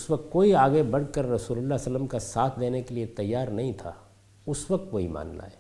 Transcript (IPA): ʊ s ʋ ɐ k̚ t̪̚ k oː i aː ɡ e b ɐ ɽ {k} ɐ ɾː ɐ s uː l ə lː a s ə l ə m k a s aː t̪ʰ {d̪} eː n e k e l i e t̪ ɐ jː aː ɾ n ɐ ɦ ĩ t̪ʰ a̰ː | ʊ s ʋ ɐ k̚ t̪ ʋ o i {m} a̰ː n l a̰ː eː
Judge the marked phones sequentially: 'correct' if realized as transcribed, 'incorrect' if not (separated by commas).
correct, correct, correct